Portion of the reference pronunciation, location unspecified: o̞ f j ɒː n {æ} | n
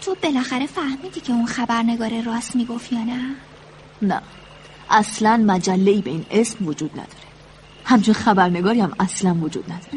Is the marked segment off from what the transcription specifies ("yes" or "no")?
no